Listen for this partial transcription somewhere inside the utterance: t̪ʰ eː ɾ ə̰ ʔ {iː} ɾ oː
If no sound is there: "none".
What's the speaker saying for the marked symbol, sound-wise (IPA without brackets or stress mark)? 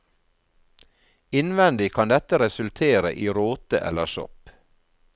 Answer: iː